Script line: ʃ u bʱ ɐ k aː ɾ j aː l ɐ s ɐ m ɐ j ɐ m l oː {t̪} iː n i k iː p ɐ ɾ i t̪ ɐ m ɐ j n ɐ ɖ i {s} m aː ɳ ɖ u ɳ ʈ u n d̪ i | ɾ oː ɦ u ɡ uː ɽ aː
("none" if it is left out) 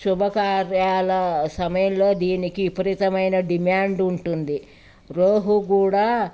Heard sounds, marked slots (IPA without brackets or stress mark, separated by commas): d̪, none